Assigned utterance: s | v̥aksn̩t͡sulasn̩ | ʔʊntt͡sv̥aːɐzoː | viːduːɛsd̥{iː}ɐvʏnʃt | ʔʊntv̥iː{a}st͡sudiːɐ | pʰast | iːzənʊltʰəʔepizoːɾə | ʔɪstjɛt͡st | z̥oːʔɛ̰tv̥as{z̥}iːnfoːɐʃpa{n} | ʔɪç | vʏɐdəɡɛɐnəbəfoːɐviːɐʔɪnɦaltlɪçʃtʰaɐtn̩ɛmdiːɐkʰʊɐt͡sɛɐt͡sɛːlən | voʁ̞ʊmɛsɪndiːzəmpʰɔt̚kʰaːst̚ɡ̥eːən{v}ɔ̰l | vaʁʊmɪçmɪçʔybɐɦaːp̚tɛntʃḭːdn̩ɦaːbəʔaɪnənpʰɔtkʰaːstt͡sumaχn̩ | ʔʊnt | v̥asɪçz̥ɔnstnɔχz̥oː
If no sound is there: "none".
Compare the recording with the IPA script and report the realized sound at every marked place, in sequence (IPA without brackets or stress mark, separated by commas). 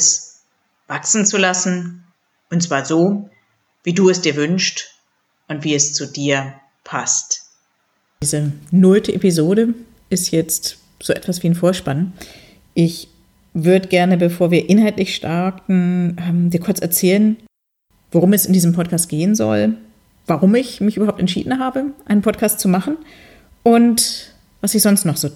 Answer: iː, ɛ, v̥, n, z